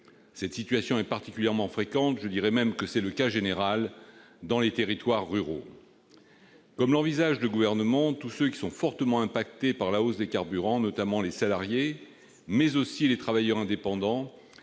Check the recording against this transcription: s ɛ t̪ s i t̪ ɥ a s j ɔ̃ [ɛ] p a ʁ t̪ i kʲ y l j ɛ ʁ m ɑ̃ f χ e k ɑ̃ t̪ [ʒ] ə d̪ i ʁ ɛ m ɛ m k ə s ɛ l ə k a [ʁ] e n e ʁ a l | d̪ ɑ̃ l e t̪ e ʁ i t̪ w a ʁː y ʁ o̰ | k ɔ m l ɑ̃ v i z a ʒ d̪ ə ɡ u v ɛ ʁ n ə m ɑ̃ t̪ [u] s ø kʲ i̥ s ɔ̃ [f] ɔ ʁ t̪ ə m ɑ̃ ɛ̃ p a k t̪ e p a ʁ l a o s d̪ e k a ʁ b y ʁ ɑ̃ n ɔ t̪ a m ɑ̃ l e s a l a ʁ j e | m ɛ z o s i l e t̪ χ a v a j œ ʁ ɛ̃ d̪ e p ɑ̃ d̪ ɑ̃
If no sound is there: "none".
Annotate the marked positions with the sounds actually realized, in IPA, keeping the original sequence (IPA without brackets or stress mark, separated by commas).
ɛ, ʒ, ʒ, u, f